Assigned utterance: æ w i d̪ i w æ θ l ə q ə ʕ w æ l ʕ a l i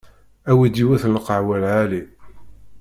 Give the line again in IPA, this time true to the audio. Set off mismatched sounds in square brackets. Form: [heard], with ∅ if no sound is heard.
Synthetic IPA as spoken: æ w i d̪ i w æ θ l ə q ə ʕ w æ l ʕ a l i

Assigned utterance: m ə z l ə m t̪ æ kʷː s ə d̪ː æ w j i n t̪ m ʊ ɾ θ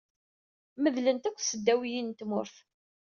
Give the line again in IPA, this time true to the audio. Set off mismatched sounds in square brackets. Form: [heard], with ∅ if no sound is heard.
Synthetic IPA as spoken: m ə [ð] l ə [n] t̪ æ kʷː s ə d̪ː æ w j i n t̪ m ʊ ɾ θ

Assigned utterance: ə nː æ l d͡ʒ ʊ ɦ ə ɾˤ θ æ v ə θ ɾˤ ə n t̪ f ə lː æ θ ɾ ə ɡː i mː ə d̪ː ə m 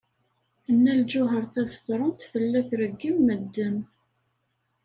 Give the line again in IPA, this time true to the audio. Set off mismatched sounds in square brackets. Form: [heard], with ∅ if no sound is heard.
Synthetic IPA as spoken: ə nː æ l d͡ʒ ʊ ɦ ə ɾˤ θ æ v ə θ ɾˤ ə n t̪ [θ] ə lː æ θ ɾ ə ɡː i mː ə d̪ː ə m

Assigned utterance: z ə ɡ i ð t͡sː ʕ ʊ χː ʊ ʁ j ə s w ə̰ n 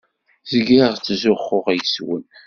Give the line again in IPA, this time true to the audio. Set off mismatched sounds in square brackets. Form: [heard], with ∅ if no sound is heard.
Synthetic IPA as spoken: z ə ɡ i [ʁ] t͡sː [z] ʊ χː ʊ ʁ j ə s w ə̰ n

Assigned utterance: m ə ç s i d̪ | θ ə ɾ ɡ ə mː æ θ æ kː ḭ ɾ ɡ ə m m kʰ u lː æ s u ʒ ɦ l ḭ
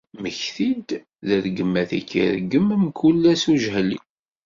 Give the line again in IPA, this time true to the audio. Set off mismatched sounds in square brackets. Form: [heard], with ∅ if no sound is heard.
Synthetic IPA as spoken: m ə ç [θ] i d̪ | [ð] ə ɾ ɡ ə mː æ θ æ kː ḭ ɾ ɡ ə m m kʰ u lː æ s u ʒ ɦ l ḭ

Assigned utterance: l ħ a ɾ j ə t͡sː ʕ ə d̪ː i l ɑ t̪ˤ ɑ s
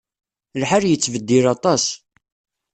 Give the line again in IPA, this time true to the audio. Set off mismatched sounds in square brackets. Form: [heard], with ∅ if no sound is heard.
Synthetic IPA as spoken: l ħ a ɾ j ə t͡sː [v] ə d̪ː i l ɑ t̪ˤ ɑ s

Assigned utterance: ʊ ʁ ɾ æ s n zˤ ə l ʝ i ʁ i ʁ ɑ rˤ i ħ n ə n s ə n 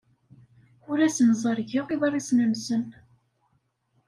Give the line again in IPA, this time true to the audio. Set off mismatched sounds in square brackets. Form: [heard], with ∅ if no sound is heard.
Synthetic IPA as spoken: ʊ [∅] ɾ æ s n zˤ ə [ɾ] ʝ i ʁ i [ð] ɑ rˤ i [s] n ə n s ə n

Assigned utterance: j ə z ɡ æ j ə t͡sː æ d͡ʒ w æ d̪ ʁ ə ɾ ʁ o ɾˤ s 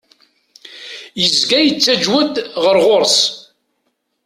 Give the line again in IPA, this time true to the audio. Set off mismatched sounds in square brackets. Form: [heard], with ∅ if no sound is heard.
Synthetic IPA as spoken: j ə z ɡ æ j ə t͡sː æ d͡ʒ w æ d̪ ʁ ə ɾ ʁ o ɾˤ s

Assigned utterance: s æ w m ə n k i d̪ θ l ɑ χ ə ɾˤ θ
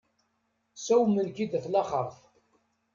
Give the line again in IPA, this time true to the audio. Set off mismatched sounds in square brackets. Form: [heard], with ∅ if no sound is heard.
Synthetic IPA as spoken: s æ w m ə n k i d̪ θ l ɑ χ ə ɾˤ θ

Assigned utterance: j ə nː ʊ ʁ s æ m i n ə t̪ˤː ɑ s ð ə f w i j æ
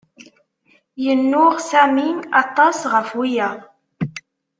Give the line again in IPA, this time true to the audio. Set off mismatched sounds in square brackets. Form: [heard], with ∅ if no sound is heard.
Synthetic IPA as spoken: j ə nː ʊ ʁ s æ m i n [ɑ] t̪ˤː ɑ s [ʁ] ə f w i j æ

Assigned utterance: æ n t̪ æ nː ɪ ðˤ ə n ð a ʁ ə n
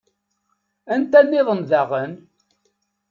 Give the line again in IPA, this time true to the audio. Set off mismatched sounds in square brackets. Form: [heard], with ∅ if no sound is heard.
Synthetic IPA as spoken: æ n t̪ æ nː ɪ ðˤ ə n ð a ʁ ə n

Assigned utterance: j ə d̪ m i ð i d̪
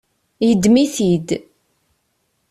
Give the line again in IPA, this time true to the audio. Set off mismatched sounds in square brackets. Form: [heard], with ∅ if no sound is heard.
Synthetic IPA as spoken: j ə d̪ m i [θ] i d̪

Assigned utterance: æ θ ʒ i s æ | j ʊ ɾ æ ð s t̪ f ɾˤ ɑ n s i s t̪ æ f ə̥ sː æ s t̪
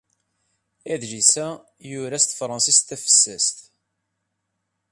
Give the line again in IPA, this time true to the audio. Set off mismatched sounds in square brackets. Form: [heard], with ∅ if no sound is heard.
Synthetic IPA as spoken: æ [ð] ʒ i s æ | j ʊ ɾ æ [∅] s t̪ f ɾˤ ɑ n s i s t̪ æ f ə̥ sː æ s t̪

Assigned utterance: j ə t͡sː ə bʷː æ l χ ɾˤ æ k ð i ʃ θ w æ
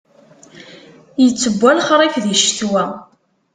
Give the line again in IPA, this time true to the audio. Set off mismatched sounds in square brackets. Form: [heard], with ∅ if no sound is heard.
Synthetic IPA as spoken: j ə t͡sː ə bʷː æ l χ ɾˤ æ k ð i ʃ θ w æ

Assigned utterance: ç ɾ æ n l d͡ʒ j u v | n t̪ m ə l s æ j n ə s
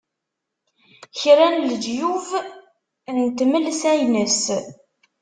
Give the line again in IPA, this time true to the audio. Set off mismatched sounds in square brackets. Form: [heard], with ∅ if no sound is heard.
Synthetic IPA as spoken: ç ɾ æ n l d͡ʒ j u v | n t̪ m ə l s æ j n ə s

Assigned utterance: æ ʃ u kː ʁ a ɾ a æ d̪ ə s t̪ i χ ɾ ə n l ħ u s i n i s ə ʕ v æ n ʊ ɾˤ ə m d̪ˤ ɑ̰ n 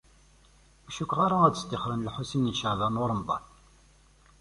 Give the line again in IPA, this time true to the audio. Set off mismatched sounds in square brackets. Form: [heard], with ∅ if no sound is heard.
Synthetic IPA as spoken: æ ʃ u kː ʁ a ɾ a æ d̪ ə s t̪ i χ ɾ ə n l ħ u s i n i [ʃ] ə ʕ [ð] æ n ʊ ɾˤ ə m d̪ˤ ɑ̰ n

